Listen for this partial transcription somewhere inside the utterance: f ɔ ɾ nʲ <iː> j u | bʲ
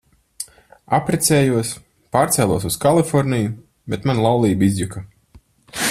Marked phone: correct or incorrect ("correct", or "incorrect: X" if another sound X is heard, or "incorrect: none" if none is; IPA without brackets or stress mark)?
incorrect: i